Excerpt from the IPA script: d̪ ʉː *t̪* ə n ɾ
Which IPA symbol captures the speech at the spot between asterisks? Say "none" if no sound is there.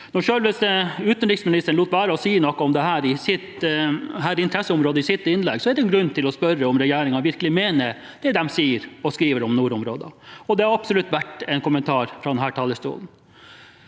t̪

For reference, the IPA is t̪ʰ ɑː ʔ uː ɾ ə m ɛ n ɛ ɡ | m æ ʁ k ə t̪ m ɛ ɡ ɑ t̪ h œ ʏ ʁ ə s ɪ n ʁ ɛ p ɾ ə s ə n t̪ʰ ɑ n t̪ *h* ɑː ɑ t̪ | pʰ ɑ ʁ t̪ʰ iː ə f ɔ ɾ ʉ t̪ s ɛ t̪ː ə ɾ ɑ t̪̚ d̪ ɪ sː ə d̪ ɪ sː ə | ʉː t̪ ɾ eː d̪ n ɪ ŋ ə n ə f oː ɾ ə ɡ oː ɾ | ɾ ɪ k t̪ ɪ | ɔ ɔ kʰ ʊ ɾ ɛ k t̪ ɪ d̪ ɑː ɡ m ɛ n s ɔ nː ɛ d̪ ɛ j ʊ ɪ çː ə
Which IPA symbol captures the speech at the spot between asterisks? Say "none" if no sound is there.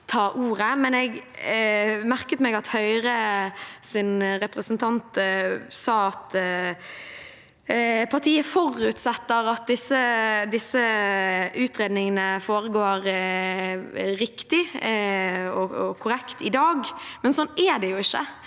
s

